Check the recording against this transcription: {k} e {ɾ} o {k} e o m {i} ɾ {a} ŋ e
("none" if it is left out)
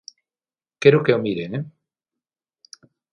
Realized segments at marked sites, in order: k, ɾ, k, i, e

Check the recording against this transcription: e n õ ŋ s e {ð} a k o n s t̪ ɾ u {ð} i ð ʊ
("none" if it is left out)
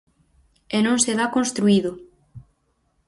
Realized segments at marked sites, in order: ð, none

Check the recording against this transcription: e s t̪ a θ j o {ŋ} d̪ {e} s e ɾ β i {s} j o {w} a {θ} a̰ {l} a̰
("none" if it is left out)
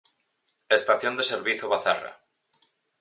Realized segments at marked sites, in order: n, e, θ, β, θ, r

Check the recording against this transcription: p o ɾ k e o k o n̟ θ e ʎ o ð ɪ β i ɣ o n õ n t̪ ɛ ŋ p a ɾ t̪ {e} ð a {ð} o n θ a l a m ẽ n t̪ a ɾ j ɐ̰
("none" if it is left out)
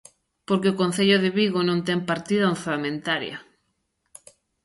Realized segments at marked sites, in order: i, none

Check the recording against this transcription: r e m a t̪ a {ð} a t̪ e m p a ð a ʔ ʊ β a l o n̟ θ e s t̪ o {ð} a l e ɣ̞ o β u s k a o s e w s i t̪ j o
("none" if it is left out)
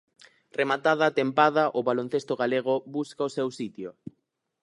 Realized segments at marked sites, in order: ð, ɣ

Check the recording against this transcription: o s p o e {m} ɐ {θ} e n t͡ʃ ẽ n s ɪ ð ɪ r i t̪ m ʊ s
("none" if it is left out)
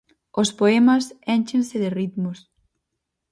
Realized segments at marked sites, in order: m, s

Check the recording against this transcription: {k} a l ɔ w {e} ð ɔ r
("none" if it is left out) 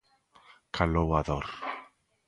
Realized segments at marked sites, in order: kʰ, a

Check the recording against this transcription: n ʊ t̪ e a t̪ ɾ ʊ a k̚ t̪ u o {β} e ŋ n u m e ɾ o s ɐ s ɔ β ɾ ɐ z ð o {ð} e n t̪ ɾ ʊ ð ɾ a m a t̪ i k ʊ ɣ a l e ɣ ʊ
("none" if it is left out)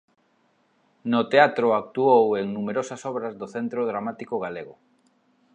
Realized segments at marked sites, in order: w, θ

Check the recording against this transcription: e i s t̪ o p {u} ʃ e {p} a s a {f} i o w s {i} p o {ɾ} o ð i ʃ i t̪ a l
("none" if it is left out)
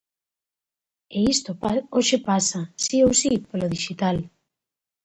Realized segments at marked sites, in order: o, p, s, i, l

